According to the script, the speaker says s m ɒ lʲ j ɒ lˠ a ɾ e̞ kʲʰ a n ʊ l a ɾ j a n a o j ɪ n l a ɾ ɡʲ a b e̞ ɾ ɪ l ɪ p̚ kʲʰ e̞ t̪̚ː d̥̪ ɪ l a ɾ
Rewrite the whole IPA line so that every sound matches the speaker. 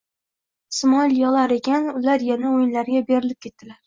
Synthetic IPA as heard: s m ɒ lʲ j ɒ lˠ a ɾ e̞ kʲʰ a n ʊ l a ɾ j a n a o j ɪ n l a ɾ ɡʲ a b e̞ ɾ ɪ l ɪ p̚ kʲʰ e̞ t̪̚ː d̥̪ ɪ l a ɾ